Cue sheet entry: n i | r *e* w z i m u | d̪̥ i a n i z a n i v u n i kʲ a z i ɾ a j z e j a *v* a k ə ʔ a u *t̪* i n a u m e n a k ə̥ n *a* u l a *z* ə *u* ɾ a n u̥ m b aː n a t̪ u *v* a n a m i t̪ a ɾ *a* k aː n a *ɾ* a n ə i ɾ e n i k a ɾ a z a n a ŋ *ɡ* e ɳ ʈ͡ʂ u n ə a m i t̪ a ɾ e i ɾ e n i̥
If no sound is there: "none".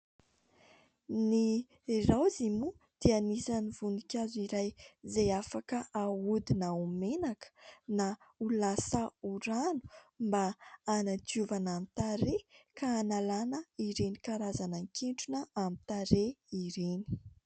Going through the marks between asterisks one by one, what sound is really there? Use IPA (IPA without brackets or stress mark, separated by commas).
a, f, d̪, a, s, u, v, e, l, k